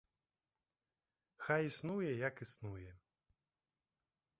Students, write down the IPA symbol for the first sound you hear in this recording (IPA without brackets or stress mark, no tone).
x